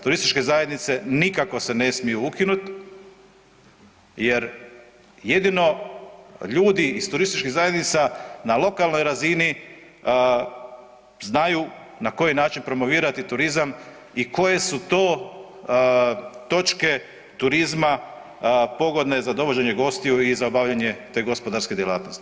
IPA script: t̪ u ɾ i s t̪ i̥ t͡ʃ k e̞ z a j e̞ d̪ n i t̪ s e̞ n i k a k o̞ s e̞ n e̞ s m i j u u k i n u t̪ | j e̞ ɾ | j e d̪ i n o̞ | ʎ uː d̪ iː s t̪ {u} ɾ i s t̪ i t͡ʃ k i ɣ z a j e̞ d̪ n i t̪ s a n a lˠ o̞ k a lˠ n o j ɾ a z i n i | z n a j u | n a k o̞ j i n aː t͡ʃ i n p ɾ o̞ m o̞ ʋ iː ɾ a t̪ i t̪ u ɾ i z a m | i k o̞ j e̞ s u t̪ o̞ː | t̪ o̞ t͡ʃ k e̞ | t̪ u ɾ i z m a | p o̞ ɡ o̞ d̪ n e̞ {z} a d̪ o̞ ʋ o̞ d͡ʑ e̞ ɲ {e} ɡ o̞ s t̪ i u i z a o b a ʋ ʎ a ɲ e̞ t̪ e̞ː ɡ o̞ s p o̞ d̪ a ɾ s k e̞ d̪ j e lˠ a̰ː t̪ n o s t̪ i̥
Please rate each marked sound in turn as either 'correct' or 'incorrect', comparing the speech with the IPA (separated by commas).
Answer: correct, correct, correct